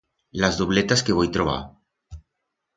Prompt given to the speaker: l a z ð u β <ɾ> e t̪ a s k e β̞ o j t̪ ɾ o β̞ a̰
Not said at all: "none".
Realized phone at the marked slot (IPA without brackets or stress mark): l